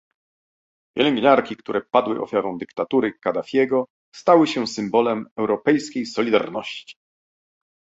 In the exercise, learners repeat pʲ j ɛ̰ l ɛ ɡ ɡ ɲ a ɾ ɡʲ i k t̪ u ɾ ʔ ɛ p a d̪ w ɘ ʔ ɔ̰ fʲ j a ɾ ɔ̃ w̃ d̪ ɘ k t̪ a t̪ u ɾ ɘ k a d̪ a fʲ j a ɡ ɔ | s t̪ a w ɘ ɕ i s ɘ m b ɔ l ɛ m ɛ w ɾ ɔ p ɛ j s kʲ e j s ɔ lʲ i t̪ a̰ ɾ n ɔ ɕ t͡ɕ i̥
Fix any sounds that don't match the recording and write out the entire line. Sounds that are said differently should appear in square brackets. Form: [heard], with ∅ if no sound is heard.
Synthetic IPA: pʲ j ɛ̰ l ɛ [ŋ] ɡ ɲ a ɾ [kʲ] i k t̪ u ɾ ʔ ɛ p a d̪ w ɘ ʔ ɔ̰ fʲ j a ɾ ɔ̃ w̃ d̪ ɘ k t̪ a t̪ u ɾ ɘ k a d̪ a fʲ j [ɛ] ɡ ɔ | s t̪ a w ɘ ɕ [ɛ] s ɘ m b ɔ l ɛ m ɛ w ɾ ɔ p ɛ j s kʲ e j s ɔ lʲ i [d̪] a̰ ɾ n ɔ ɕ t͡ɕ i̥